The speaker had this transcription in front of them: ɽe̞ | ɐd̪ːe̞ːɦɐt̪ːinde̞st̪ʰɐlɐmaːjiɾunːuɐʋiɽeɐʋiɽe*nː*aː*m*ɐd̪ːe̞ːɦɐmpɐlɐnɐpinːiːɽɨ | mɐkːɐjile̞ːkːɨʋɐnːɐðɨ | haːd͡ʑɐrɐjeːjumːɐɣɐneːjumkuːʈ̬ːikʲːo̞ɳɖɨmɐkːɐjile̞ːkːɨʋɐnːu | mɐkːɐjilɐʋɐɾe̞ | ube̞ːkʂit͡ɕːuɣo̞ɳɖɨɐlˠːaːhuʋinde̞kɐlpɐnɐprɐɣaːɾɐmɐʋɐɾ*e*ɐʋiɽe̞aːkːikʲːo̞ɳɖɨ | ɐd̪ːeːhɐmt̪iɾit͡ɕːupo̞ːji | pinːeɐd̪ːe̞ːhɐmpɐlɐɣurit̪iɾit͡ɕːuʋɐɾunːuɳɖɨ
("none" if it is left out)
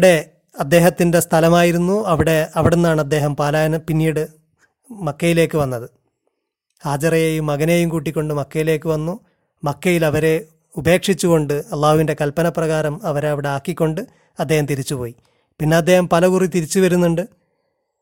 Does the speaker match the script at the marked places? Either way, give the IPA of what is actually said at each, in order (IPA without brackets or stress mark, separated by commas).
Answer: nː, ɳ, e